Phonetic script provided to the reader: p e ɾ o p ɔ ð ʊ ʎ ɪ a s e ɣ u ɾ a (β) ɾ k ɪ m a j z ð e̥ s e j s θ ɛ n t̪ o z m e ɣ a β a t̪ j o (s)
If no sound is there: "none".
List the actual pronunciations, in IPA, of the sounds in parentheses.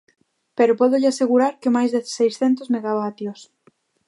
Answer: none, s

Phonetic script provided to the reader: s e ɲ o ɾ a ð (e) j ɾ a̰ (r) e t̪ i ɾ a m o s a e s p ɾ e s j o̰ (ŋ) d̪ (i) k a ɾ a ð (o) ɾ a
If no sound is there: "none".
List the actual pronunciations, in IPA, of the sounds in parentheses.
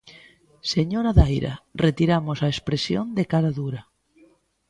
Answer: a, r, n, e, u

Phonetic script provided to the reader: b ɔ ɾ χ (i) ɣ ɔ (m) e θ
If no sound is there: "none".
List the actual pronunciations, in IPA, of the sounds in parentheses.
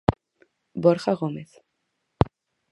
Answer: a, m

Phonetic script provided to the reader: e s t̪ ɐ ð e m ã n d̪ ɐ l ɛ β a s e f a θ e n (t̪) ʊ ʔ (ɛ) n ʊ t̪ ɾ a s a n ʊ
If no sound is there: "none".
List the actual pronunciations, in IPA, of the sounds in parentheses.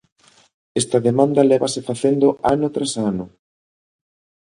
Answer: d̪, a

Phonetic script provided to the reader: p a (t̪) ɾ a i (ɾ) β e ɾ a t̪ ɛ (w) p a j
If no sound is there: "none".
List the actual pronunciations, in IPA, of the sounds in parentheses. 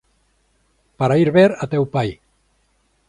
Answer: none, ɾ, w

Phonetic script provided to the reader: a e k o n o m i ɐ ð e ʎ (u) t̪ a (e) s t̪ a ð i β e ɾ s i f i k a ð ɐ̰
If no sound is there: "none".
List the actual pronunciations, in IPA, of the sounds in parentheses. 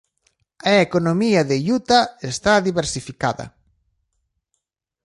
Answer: u, e

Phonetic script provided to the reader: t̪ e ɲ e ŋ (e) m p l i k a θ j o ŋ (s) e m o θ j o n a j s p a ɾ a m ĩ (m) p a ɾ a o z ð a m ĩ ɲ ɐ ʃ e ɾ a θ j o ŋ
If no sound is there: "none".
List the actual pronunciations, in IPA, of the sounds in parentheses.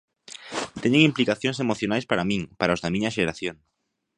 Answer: i, s, ŋ

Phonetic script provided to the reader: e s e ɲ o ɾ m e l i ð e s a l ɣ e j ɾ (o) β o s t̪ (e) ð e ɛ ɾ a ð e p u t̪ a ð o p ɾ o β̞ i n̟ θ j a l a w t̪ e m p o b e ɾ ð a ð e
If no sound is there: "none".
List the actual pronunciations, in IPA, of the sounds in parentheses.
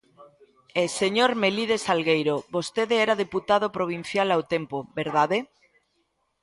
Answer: o, e

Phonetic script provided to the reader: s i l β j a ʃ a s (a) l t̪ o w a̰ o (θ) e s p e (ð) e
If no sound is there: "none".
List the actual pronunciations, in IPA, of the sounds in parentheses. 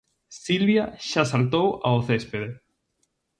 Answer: a, θ, ð

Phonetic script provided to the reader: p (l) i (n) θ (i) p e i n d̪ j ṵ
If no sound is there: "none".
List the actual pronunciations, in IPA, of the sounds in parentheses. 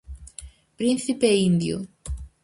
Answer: ɾ, n, i

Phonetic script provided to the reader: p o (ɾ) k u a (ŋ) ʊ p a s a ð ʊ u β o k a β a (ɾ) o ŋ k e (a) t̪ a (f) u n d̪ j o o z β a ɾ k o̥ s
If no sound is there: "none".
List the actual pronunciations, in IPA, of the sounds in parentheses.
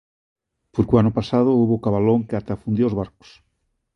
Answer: ɾ, n, l, a, f

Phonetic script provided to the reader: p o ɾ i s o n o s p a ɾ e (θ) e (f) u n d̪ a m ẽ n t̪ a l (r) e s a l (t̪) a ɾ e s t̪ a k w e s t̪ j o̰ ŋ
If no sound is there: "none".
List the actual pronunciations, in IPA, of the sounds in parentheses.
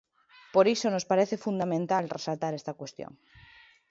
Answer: θ, f, r, t̪

